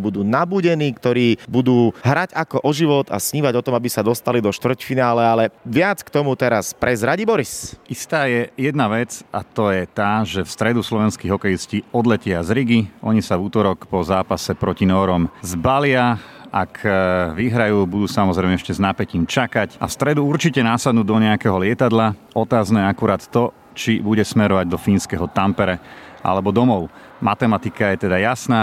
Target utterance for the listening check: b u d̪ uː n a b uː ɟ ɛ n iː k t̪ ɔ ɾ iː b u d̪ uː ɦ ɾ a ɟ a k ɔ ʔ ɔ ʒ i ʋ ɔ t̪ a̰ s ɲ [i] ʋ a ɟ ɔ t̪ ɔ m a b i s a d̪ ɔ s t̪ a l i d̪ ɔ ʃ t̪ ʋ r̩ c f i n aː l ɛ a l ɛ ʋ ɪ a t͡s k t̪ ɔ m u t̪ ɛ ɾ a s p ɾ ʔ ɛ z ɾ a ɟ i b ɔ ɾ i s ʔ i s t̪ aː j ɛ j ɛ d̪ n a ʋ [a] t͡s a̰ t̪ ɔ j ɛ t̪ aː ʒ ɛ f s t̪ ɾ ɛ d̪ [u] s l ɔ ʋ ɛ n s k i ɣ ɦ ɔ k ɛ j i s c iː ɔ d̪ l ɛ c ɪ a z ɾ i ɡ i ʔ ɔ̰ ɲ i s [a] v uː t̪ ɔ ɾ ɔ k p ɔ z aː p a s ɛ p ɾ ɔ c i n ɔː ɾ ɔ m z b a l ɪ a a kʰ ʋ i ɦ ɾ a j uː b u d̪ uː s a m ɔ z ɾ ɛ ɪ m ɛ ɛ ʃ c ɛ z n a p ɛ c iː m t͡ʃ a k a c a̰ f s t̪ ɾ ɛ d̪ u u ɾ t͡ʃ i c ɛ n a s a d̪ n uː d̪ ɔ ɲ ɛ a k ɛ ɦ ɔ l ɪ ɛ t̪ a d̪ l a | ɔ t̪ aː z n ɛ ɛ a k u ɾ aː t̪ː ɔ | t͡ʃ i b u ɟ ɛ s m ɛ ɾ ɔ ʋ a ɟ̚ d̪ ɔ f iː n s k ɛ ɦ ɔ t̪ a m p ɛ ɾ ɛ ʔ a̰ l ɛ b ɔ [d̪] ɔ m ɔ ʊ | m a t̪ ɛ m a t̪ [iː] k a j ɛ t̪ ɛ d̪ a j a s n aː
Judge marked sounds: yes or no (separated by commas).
no, no, yes, yes, yes, no